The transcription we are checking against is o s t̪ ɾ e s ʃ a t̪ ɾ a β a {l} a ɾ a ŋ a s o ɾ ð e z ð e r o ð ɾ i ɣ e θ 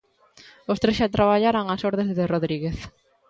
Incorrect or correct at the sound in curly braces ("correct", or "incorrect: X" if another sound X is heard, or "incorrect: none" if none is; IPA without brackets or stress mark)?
incorrect: ʎ